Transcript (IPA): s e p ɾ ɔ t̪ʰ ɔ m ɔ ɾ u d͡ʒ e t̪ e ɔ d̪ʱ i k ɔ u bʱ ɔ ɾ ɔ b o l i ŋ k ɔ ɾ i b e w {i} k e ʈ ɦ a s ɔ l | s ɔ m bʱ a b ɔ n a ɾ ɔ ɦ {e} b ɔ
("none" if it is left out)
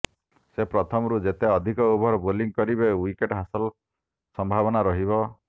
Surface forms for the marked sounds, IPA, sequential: i, i

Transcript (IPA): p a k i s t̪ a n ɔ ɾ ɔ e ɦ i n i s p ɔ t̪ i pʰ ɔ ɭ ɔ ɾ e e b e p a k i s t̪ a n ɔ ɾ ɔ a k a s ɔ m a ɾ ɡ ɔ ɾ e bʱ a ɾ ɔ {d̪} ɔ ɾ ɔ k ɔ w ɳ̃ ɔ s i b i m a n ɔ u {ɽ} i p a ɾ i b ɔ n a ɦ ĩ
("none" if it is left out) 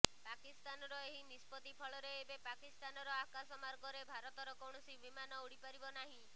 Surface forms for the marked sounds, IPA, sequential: t̪, ɽ

